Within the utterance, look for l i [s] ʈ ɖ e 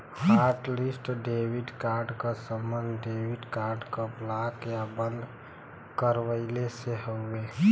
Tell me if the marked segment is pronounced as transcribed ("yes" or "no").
yes